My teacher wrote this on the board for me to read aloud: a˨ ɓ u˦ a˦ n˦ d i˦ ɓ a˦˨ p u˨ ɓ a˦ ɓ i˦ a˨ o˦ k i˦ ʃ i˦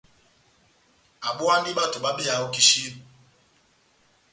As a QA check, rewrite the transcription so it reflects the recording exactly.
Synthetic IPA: a˨ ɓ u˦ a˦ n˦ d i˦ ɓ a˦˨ t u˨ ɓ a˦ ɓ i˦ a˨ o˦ k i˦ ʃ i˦